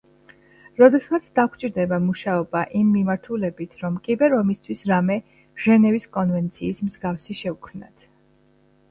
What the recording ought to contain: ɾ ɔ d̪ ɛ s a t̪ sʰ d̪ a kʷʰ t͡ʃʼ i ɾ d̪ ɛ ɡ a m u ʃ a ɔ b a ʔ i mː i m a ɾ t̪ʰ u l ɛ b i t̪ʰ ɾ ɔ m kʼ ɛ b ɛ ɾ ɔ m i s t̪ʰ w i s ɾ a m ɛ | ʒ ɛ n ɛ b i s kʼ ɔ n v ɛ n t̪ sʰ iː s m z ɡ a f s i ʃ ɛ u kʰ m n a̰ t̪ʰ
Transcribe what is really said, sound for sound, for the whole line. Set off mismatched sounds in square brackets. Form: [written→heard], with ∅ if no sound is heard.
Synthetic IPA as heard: ɾ ɔ d̪ ɛ s a t̪ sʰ d̪ a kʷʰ t͡ʃʼ i ɾ d̪ ɛ [ɡ→b] a m u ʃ a ɔ b a ʔ i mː i m a ɾ t̪ʰ u l ɛ b i t̪ʰ ɾ ɔ m kʼ [ɛ→i] b ɛ ɾ ɔ m i s t̪ʰ w i s ɾ a m ɛ | ʒ ɛ n ɛ [b→v] i s kʼ ɔ n v ɛ n t̪ sʰ iː s m z ɡ a f s i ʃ ɛ u kʰ m n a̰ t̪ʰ